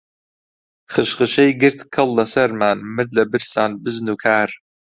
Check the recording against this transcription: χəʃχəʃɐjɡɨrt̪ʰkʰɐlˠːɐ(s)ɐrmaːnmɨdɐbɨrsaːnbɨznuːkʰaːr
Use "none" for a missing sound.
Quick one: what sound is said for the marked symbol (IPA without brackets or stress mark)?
s